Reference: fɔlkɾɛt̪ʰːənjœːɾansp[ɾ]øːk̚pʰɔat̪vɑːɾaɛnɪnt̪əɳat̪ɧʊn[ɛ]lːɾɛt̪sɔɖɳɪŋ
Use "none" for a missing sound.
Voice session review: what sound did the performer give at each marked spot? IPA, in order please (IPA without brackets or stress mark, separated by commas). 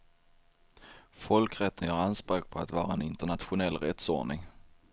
ɾ, ɛ